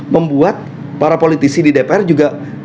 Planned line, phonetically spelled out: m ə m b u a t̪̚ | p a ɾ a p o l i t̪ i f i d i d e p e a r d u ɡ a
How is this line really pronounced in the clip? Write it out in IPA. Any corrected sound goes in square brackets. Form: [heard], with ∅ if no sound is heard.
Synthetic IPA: m ə m b u a t̪̚ | p a ɾ a p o l i t̪ i [s] i d i d e p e [ɛ] r [d͡ʒ] u ɡ a